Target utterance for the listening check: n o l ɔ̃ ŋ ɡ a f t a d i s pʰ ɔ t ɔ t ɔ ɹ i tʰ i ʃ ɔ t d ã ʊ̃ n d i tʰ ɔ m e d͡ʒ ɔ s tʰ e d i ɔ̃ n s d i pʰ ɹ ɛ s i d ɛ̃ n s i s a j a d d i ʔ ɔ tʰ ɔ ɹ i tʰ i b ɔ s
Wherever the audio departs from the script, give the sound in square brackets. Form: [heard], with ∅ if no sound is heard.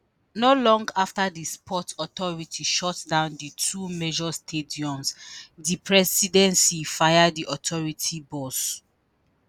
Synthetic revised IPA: n o l ɔ̃ ŋ ɡ a f t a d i s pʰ ɔ t ɔ t ɔ ɹ i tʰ i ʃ ɔ t d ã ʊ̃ n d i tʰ [u] m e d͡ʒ ɔ s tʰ e d i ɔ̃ n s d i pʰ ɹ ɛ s i d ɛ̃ n s i [f] a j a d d i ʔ ɔ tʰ ɔ ɹ i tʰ i b ɔ s